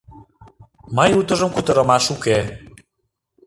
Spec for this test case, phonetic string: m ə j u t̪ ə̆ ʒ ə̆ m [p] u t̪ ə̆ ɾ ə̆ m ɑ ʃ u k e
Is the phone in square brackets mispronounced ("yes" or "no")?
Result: yes